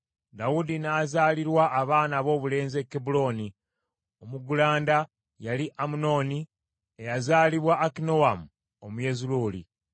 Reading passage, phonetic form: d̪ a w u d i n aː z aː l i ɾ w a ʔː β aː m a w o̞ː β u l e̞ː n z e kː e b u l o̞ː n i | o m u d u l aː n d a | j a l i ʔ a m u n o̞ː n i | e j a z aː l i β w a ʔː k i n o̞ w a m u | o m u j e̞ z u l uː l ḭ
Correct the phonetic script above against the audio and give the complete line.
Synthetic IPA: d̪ a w u d i n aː z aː l i ɾ w a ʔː β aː n a β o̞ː β u l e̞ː n z e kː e b u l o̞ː n i | o m u ɡ u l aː n d a | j a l i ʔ a m u n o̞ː n i | e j a z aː l i β w a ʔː k i n o̞ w a m u | o m u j e̞ z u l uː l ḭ